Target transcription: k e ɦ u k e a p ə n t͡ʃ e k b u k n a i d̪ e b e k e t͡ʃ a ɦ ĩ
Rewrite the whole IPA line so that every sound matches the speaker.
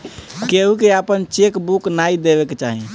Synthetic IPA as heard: k e ɦ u k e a p ə n t͡ʃ e k b u k n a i d̪ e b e k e t͡ʃ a ɦ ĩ